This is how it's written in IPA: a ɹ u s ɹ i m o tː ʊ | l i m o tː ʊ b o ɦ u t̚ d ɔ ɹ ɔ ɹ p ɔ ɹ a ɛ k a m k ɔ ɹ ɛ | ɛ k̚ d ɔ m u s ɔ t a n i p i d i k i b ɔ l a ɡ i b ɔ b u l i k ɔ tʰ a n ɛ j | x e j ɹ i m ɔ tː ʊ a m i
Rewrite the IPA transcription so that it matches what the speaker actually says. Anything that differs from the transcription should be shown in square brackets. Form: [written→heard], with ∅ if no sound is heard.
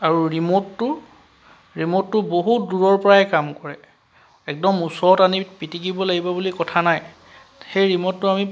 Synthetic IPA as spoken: a ɹ u [s→∅] ɹ i m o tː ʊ | [l→ɹ] i m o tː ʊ b o ɦ u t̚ d [ɔ→u] ɹ ɔ ɹ p ɔ ɹ a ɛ k a m k ɔ ɹ ɛ | ɛ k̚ d ɔ m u s ɔ t a n i p i [d→t] i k i b ɔ l a ɡ i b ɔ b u l i k ɔ tʰ a n [ɛ→a] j | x e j ɹ i m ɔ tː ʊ a m i